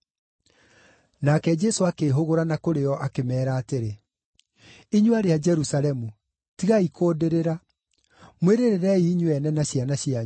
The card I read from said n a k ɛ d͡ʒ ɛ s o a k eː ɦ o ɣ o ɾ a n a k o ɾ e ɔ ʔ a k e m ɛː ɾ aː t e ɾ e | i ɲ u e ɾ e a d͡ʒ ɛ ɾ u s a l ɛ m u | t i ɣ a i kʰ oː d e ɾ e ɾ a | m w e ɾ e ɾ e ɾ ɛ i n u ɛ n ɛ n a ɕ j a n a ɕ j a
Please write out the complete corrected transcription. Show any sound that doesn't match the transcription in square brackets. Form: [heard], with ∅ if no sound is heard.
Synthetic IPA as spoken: n a k ɛ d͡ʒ ɛ s o a k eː ɦ o ɣ o ɾ a n a k o ɾ e ɔ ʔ a k e m ɛː ɾ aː t e ɾ e | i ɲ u [a] ɾ e a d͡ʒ ɛ ɾ u s a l ɛ m u | t i ɣ a i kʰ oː d e ɾ e ɾ a | m w e ɾ e ɾ e ɾ ɛ i [ɲ] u ɛ n ɛ n a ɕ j a n a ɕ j a